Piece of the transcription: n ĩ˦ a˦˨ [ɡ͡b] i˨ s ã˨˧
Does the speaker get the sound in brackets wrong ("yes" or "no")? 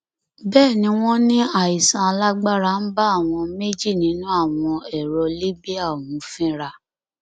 yes